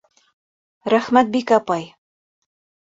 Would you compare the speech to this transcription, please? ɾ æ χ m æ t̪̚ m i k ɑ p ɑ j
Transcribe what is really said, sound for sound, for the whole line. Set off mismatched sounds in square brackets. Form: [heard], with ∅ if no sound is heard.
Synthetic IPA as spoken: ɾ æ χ m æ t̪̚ [b] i k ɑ p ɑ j